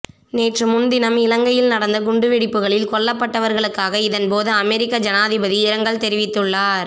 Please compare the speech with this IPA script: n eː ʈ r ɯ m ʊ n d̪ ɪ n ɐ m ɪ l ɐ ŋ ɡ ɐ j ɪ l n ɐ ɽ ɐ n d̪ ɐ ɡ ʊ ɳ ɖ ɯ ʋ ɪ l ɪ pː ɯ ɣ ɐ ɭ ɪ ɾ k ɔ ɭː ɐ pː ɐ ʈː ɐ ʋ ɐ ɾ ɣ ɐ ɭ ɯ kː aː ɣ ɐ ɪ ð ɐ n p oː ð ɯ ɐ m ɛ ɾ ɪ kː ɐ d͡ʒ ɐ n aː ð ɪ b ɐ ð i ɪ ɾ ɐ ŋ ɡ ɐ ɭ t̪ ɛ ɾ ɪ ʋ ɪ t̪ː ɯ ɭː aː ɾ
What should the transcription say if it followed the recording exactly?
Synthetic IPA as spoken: n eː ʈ r ɯ m ʊ n d̪ ɪ n ɐ m ɪ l ɐ ŋ ɡ ɐ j ɪ l n ɐ ɽ ɐ n d̪ ɐ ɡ ʊ ɳ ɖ ɯ ʋ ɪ ɽ ɪ pː ɯ ɣ ɐ ɭ ɪ l k ɔ ɭː ɐ pː ɐ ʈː ɐ ʋ ɐ ɾ ɣ ɐ ɭ ɯ kː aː ɣ ɐ ɪ ð ɐ n p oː ð ɯ ɐ m ɛ ɾ ɪ kː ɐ d͡ʒ ɐ n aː ð ɪ b ɐ ð i ɪ ɾ ɐ ŋ ɡ ɐ ɭ t̪ ɛ ɾ ɪ ʋ ɪ t̪ː ɯ ɭː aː ɾ